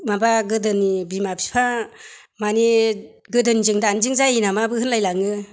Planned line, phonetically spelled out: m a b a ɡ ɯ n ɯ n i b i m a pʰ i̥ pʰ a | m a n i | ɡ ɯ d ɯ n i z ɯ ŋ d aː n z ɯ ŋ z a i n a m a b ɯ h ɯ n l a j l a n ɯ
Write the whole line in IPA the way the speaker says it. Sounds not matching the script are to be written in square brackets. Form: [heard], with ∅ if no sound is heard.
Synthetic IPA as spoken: m a b a ɡ ɯ [d] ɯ n i b i m a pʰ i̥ pʰ a | m a n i | ɡ ɯ d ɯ n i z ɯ ŋ d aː n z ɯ ŋ z a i n a m a b ɯ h ɯ n l a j l a [ŋ] ɯ